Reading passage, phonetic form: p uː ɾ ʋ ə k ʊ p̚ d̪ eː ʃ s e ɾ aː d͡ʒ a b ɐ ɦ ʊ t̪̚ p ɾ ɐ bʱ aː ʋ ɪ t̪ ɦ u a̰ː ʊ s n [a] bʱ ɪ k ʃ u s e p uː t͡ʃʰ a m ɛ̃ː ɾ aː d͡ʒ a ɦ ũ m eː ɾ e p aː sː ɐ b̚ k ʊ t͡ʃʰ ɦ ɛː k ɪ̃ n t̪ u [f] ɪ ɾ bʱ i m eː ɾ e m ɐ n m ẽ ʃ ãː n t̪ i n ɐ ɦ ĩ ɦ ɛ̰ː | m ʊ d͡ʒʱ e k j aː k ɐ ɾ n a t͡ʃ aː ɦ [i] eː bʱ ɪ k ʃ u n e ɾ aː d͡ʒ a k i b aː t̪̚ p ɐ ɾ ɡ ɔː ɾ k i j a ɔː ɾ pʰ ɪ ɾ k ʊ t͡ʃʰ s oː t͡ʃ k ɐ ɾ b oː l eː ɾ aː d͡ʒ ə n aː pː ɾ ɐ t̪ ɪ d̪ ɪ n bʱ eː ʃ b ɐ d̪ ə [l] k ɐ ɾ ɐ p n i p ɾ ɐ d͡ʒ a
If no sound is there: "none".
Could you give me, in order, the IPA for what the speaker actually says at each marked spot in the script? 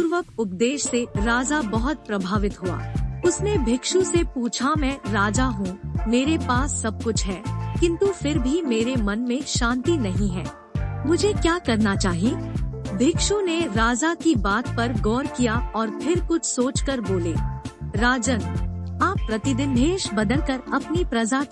e, f, i, l

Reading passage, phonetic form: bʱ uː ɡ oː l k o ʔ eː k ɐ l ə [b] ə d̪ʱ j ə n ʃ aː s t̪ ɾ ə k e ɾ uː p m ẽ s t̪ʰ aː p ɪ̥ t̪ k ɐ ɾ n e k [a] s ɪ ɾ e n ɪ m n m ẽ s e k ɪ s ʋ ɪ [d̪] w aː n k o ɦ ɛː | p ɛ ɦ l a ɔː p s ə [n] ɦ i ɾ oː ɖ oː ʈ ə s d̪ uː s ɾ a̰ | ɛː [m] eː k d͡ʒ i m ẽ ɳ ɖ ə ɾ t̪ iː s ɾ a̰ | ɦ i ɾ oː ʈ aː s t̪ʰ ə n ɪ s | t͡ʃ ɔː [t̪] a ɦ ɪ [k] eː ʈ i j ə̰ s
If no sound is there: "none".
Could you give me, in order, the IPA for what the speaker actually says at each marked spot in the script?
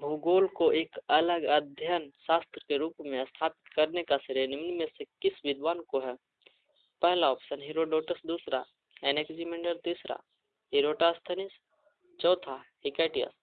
ɡ, a, d̪, n, n, t̪ʰ, k

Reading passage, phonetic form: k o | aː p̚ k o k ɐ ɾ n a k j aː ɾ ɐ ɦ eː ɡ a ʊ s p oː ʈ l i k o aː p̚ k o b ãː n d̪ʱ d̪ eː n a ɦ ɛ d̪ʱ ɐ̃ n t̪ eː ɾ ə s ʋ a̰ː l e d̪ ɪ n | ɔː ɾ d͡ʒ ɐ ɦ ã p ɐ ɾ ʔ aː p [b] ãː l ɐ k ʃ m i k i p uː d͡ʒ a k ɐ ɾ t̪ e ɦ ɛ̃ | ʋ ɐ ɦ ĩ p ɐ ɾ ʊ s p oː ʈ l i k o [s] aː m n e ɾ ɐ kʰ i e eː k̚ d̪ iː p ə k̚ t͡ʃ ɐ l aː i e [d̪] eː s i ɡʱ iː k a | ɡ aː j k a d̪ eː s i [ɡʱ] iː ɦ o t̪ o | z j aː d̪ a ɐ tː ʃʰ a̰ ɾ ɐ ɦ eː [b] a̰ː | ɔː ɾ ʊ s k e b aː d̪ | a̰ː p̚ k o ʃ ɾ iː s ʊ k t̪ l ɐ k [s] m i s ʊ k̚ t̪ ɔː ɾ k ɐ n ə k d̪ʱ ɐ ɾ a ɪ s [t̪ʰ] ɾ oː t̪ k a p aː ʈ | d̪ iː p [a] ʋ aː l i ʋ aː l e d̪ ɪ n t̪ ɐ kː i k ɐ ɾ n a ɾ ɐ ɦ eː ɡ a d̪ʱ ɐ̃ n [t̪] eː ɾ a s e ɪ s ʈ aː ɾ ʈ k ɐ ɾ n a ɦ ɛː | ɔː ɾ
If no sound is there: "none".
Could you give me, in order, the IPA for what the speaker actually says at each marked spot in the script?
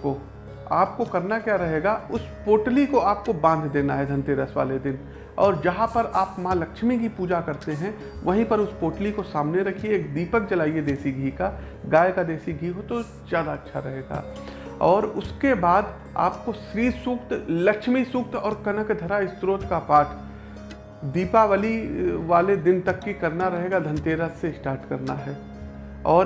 m, s, d̪, ɡʱ, ɡ, ʃ, t̪, a, t̪

